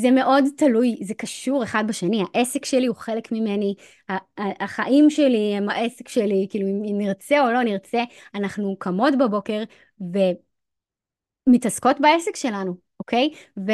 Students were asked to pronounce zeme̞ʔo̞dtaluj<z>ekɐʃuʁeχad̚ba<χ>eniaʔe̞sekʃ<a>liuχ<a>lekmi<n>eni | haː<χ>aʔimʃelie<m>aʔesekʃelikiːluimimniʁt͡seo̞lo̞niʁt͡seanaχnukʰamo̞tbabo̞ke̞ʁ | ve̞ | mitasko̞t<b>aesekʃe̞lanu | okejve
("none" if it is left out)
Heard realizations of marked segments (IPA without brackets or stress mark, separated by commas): z, ʃ, e, e, m, χ, m, b